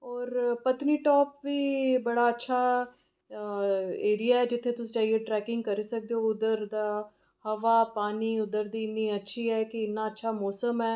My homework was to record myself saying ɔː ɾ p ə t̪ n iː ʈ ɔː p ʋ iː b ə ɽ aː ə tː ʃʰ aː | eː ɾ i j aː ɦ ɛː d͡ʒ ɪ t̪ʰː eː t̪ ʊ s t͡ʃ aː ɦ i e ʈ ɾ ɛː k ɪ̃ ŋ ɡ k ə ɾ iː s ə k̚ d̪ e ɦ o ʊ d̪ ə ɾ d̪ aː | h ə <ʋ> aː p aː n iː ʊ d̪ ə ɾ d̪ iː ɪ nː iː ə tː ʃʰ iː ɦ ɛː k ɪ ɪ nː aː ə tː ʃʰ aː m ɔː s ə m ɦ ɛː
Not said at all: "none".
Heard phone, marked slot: ʋ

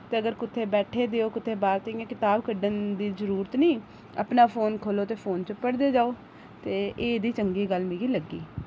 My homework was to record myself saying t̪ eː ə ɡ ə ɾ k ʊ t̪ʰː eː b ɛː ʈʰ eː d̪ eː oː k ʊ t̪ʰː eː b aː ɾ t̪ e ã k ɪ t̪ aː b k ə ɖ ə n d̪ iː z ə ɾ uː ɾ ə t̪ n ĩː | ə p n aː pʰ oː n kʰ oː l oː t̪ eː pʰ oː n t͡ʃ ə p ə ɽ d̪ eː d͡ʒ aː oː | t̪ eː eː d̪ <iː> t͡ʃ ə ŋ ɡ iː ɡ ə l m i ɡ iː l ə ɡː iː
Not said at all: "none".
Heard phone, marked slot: iː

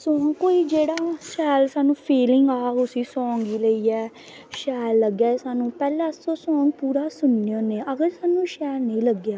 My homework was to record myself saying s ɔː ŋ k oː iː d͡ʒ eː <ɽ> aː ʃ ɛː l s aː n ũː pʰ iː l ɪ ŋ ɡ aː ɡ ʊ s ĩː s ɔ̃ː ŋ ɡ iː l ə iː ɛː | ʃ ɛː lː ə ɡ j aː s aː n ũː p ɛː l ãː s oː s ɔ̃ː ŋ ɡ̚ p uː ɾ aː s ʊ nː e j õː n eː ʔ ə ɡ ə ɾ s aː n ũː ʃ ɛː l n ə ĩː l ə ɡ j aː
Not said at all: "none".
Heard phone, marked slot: ɽ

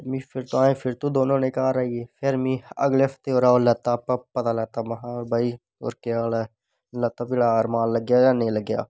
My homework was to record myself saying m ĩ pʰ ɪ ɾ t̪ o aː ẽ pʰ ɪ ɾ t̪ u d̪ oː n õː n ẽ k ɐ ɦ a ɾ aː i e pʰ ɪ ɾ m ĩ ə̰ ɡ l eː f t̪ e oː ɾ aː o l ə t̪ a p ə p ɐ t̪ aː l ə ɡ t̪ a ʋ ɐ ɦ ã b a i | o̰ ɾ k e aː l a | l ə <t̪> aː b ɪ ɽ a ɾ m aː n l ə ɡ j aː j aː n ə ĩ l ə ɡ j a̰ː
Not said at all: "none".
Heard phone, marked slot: t̪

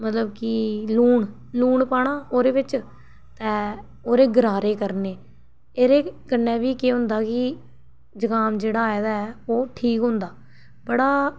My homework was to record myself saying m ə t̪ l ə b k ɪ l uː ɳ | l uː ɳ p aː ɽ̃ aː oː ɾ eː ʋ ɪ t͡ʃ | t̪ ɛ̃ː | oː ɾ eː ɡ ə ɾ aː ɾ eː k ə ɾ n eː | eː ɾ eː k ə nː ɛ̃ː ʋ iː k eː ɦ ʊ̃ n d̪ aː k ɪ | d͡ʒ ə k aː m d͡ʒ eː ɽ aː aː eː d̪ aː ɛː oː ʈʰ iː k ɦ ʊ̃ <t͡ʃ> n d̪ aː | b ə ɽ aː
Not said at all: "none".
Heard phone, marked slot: none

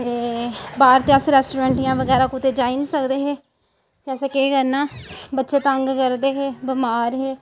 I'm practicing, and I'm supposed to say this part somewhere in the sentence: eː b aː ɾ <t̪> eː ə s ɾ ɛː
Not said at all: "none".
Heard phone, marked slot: t̪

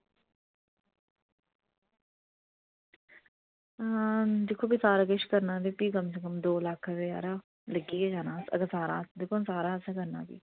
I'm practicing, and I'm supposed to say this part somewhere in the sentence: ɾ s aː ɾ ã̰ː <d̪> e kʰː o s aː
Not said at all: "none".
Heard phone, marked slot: d̪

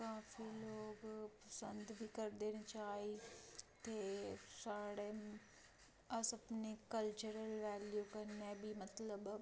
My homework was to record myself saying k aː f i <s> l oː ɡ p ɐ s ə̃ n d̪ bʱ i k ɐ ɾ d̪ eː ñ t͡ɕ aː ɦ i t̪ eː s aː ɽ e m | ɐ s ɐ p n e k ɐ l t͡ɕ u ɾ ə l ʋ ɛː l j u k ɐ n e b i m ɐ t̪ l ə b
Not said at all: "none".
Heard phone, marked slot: none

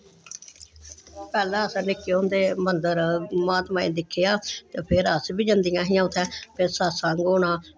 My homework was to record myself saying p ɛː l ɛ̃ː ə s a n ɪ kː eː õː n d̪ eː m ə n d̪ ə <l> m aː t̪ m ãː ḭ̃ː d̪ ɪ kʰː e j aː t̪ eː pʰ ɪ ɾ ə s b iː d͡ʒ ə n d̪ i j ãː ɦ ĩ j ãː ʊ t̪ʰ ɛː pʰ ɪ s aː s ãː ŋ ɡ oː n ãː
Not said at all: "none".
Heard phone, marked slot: ɾ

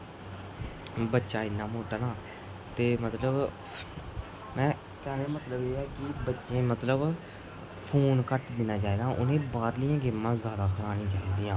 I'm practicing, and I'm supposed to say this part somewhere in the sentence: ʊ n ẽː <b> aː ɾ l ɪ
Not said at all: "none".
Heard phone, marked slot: b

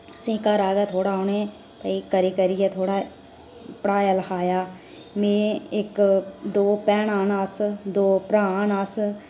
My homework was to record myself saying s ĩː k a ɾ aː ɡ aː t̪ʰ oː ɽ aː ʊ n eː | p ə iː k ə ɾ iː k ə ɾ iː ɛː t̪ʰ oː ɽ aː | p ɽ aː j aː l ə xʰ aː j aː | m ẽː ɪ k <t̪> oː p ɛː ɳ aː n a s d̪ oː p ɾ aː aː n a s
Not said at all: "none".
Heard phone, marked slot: d̪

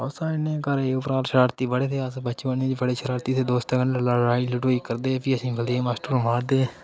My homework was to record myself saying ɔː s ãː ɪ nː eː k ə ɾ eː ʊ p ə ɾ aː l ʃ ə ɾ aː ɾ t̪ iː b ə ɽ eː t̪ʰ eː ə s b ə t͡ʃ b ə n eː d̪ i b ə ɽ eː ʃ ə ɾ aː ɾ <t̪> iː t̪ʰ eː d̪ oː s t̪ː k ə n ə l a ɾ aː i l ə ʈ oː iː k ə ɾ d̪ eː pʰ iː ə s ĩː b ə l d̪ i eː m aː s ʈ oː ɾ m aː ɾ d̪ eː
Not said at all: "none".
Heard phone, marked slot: t̪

